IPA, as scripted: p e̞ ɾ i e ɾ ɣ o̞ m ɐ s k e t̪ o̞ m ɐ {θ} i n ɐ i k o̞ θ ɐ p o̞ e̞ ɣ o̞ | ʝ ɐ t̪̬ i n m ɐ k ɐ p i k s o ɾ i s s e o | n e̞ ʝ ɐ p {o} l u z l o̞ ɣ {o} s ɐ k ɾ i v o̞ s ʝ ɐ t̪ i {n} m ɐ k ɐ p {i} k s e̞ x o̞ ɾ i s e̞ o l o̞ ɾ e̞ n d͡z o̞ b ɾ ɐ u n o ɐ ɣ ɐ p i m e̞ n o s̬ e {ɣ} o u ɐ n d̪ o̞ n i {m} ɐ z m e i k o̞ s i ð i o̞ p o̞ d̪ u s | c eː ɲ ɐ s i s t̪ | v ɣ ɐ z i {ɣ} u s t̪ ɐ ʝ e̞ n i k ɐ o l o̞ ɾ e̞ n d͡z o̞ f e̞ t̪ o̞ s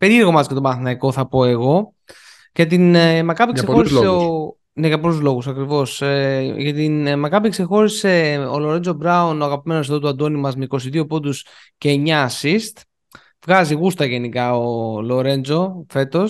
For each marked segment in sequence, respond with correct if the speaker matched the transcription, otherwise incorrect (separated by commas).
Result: correct, correct, incorrect, correct, correct, incorrect, correct, correct